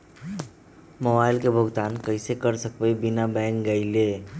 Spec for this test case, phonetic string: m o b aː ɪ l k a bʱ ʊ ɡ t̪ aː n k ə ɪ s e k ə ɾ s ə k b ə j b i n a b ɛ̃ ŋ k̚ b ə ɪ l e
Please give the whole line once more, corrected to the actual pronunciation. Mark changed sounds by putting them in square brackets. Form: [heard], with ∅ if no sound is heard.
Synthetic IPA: m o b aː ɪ l k [e] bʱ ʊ ɡ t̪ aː n k ə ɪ s e k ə ɾ s ə k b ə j b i n a b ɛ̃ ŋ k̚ [ɡ] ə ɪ l e